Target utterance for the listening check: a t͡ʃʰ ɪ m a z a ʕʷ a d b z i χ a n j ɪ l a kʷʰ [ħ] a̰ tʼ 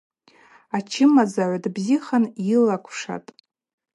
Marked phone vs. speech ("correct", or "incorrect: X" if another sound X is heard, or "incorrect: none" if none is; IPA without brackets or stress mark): incorrect: ʂ